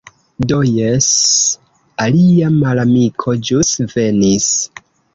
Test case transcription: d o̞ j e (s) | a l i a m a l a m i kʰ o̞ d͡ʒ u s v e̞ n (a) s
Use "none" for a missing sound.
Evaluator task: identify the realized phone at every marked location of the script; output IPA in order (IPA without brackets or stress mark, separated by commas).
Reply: s, i